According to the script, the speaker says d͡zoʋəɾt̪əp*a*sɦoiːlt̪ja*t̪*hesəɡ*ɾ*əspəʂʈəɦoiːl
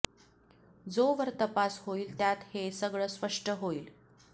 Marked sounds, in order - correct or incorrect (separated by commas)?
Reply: correct, correct, incorrect